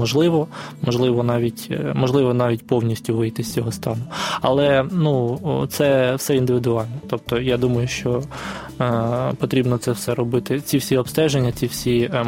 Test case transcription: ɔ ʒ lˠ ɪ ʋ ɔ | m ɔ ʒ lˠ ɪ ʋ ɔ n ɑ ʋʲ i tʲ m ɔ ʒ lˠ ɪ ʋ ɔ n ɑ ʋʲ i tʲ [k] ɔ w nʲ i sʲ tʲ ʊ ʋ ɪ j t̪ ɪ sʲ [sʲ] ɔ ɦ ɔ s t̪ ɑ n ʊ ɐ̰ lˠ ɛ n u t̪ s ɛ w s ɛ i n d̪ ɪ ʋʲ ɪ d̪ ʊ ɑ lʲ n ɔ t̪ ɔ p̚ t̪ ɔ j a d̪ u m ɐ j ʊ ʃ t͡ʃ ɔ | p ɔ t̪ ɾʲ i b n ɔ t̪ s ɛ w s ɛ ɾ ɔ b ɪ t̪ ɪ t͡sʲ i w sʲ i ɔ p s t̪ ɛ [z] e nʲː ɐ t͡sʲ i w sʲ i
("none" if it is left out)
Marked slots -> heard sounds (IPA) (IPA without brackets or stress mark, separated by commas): p, t͡sʲ, ʒ